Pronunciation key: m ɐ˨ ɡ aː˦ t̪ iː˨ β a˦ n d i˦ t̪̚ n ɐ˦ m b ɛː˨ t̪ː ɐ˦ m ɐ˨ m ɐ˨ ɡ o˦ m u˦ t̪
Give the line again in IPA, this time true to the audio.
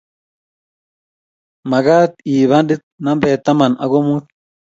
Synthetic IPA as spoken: m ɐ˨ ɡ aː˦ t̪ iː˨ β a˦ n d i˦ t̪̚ n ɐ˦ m b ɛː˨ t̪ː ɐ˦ m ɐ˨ n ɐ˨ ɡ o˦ m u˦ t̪